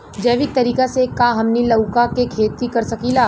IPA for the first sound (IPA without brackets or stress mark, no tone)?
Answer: d͡ʒ